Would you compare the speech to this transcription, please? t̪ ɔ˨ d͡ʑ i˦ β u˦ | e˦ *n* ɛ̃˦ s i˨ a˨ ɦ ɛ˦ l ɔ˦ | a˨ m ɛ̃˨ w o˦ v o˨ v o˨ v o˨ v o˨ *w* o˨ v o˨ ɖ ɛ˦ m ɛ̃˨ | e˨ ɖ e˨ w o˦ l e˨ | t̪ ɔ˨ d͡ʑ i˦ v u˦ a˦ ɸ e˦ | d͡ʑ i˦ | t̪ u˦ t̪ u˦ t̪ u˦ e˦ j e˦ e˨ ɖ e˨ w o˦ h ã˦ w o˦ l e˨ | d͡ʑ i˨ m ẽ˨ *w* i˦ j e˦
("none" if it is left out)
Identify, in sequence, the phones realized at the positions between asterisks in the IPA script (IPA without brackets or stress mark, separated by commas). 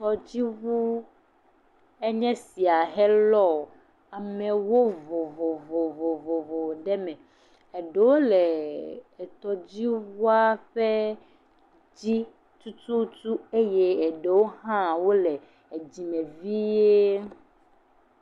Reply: ɲ, v, v